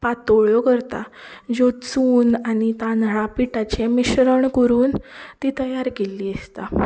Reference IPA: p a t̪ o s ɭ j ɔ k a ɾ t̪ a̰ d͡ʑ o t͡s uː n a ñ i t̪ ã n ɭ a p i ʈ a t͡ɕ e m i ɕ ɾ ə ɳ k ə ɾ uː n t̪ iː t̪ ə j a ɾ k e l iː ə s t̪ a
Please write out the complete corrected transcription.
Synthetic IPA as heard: p a t̪ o ɭ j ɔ k ə ɾ t̪ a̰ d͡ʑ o t͡s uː n a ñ i t̪ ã n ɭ a p i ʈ a t͡ɕ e m i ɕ ɾ ə ɳ k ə ɾ uː n t̪ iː t̪ ə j a ɾ k e l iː ə s t̪ a

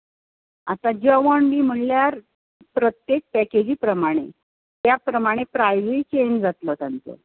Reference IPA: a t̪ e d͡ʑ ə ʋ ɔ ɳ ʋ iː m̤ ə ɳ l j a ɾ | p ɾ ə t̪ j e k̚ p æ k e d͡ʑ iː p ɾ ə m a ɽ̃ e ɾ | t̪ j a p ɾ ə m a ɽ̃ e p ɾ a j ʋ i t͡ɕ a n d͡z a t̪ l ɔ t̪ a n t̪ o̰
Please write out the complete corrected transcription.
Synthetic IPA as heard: a t̪ a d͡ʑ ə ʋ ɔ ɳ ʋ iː m̤ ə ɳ l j a ɾ | p ɾ ə t̪ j e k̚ p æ k e d͡ʑ iː p ɾ ə m a ɽ̃ e | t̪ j a p ɾ ə m a ɽ̃ e p ɾ a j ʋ i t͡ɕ e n d͡z a t̪ l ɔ t̪ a n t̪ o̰

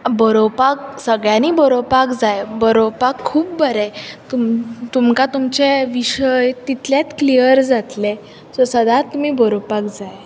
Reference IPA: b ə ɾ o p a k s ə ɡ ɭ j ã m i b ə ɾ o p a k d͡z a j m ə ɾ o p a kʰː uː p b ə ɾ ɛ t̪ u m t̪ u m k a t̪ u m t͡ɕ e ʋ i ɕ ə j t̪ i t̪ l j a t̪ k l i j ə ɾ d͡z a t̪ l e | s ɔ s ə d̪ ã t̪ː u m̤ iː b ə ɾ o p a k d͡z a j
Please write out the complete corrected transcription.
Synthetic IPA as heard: b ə ɾ o p a k s ə ɡ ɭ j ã n i b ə ɾ o p a k d͡z a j b ə ɾ o p a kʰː uː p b ə ɾ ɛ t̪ u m t̪ u m k a t̪ u m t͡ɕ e ʋ i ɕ ə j t̪ i t̪ l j a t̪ k l i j ə ɾ d͡z a t̪ l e | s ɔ s ə d̪ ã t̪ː u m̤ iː b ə ɾ o p a k d͡z a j

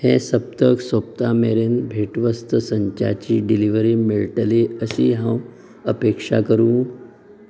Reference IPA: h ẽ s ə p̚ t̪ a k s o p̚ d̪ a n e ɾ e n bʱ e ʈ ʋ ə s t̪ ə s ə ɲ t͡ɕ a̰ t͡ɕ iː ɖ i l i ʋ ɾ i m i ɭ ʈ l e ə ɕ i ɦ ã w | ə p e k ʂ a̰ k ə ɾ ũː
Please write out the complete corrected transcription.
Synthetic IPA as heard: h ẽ s ə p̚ t̪ ə k s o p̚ t̪ a m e ɾ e n bʱ e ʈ ʋ ə s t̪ ə s ə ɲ t͡ɕ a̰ t͡ɕ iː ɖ i l i ʋ ɾ i m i ɭ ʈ l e ə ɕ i ɦ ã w | ə p e k ʂ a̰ k ə ɾ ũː

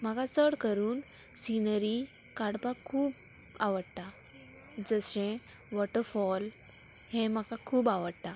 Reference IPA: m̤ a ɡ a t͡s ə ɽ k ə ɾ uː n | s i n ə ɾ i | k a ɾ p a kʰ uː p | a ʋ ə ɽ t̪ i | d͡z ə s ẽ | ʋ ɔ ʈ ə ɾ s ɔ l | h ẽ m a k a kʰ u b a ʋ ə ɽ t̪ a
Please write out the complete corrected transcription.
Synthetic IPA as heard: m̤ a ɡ a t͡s ə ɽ k ə ɾ uː n | s i n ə ɾ i | k a ɽ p a kʰ uː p | a ʋ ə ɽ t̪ a | d͡z ə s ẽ | ʋ ɔ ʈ ə ɾ f ɔ l | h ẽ m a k a kʰ uː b a ʋ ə ɽ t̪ a

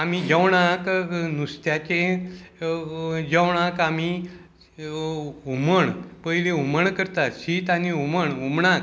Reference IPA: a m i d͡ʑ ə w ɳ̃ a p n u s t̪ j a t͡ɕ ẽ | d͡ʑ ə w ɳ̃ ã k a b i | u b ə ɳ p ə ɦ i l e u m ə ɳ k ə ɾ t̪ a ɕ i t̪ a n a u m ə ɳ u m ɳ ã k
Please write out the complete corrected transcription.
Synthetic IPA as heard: a m i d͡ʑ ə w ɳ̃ a k n u s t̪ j a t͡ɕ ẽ | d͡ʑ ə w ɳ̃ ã k a m i | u m ə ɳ p ə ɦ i l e u m ə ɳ k ə ɾ t̪ a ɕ i t̪ a n i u m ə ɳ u m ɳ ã k

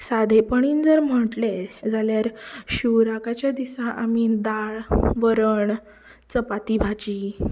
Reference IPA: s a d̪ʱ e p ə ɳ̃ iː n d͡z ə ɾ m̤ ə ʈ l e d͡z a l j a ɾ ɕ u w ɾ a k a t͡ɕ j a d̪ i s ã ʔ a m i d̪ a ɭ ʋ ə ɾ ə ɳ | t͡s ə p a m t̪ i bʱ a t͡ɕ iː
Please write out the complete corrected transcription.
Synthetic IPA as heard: s a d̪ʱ e p ə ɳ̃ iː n d͡z ə ɾ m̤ ə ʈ l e d͡z a l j a ɾ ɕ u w ɾ a k a t͡ɕ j a d̪ i s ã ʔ a m i d̪ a ɭ ʋ ə ɾ ə ɳ | t͡s ə p a t̪ i bʱ a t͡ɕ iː

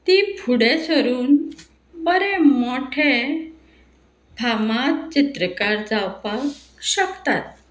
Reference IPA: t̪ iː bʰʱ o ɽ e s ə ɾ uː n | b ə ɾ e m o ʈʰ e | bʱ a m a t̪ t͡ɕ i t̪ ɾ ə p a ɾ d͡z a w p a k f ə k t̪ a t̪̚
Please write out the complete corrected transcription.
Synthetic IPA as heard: t̪ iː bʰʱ u ɽ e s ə ɾ uː n | b ə ɾ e m o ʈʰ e | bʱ a m a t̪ t͡ɕ i t̪ ɾ ə k a ɾ d͡z a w p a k ɕ ə k t̪ a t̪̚

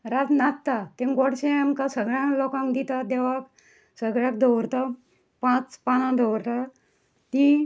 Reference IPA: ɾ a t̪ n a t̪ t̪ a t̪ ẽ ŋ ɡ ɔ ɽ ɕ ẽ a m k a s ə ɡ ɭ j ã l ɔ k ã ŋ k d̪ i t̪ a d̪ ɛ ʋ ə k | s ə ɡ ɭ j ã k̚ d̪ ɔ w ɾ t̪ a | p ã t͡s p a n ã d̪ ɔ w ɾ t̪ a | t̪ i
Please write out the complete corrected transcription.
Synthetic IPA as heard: ɾ a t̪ n a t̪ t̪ a t̪ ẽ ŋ ɡ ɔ ɽ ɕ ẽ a m k a s ə ɡ ɭ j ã l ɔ k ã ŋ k d̪ i t̪ a d̪ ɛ ʋ a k | s ə ɡ ɭ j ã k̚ d̪ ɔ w ɾ t̪ a | p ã t͡s p a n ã d̪ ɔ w ɾ t̪ a | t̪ i

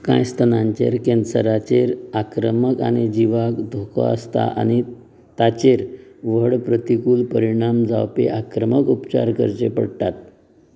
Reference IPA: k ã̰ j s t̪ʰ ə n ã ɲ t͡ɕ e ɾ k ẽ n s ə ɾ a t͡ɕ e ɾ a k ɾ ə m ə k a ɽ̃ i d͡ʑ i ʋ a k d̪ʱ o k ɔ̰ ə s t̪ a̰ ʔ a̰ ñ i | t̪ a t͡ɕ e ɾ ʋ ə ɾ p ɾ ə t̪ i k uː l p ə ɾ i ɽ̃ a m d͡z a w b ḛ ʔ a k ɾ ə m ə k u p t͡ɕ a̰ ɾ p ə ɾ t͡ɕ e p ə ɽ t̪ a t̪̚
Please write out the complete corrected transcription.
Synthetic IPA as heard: k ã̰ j s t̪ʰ ə n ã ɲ t͡ɕ e ɾ k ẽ n s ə ɾ a t͡ɕ e ɾ a k ɾ ə m ə k a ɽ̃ i d͡ʑ i ʋ a k d̪ʱ o k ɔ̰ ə s t̪ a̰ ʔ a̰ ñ i | t̪ a t͡ɕ e ɾ ʋ ə ɽ p ɾ ə t̪ i k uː l p ə ɾ i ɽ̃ a m d͡z a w p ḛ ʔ a k ɾ ə m ə k u p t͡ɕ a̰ ɾ k ə ɾ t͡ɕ e p ə ɽ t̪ a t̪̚

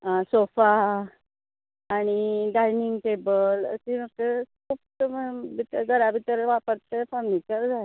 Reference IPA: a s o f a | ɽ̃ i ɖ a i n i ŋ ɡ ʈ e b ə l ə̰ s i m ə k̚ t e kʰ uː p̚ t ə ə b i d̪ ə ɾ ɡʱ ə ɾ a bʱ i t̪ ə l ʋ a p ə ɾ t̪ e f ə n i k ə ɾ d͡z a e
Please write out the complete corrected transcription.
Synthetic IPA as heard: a s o f a | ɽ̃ i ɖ a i n i ŋ ɡ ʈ e b ə l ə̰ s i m ə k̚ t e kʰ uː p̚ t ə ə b i t̪ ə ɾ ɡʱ ə ɾ a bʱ i t̪ ə ɾ ʋ a p ə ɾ t̪ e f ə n i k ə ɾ d͡z a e

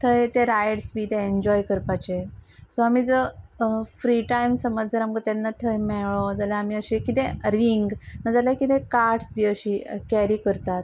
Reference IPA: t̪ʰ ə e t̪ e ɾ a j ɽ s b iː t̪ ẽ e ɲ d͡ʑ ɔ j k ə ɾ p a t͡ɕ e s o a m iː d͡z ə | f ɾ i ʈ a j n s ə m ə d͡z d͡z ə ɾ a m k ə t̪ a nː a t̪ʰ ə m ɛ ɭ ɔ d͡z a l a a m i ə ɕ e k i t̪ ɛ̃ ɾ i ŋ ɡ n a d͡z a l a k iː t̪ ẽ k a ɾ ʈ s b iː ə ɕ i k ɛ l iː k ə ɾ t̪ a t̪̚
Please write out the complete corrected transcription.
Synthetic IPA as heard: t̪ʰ ə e t̪ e ɾ a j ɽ s b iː t̪ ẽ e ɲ d͡ʑ ɔ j k ə ɾ p a t͡ɕ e s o a m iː d͡z ə | f ɾ i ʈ a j m s ə m ə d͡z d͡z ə ɾ a m k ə t̪ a nː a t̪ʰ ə m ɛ ɭ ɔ d͡z a l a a m i ə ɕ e k i t̪ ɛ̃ ɾ i ŋ ɡ n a d͡z a l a k i t̪ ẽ k a ɾ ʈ s b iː ə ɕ i k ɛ ɾ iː k ə ɾ t̪ a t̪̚

